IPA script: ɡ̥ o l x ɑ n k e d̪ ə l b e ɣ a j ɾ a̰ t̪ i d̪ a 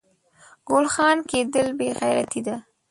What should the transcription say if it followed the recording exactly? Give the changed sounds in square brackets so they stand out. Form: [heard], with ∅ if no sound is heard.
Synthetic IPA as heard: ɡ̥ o l x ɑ n k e d̪ ə l b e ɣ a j ɾ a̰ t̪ i d̪ a